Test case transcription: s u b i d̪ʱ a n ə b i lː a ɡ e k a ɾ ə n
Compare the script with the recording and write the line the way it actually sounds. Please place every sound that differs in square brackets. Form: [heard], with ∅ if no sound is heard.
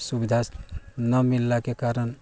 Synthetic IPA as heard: s u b i d̪ʱ a n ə [m] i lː a [k] e k a ɾ ə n